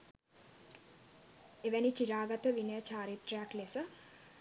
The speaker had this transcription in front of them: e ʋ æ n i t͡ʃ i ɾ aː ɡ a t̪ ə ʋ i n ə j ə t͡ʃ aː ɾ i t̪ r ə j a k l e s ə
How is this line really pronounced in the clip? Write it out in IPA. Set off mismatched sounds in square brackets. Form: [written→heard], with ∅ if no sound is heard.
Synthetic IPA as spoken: e ʋ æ n i t͡ʃ i ɾ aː ɡ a t̪ ə ʋ i n ə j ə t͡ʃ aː ɾ i t̪ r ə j a k l e s ə